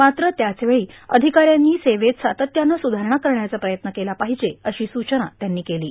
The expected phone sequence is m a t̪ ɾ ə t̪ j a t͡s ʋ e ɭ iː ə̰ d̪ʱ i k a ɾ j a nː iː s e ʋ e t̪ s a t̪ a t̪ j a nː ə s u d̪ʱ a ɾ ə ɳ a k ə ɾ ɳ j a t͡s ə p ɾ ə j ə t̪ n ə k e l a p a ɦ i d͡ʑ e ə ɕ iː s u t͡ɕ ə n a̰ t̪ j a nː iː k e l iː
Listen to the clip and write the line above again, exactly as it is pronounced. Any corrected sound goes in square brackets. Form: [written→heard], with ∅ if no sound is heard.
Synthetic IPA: m a t̪ ɾ ə t̪ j a t͡s ʋ e ɭ iː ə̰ d̪ʱ i k a ɾ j a nː iː s e ʋ e t̪ s a t̪ [a→ə] t̪ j a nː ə s u d̪ʱ a ɾ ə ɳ a k ə ɾ ɳ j a t͡s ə p ɾ ə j ə t̪ n ə k e l a p a ɦ i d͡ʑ e ə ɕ iː s u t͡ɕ ə n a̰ t̪ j a nː iː k e l iː